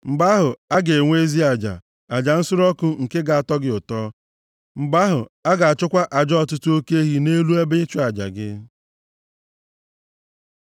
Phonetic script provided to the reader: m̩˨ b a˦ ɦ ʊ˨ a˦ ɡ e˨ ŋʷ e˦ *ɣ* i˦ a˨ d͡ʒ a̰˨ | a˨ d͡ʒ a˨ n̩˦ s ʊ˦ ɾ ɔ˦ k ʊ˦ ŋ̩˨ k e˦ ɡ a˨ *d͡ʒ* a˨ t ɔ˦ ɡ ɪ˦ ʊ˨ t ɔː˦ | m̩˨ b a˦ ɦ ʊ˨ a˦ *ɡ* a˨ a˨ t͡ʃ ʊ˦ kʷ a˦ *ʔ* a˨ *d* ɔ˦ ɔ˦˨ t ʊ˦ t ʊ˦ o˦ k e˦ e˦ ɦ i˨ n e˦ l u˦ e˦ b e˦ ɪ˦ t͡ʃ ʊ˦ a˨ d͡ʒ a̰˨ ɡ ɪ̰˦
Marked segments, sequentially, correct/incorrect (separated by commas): incorrect, incorrect, correct, correct, incorrect